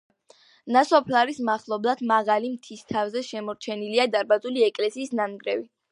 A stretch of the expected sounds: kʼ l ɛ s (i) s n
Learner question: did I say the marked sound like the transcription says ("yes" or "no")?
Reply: no